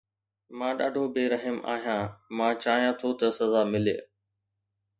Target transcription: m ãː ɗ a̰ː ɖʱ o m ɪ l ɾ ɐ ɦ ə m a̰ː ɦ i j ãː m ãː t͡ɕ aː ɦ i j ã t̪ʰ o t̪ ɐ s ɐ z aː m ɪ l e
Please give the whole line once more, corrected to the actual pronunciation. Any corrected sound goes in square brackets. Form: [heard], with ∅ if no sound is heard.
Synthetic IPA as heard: m ãː ɗ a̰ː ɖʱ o [b] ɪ [∅] ɾ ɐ ɦ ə m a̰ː ɦ i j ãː m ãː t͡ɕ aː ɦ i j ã t̪ʰ o t̪ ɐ s ɐ z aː m ɪ l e